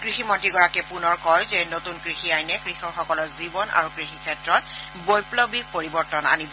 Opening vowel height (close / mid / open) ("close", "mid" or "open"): close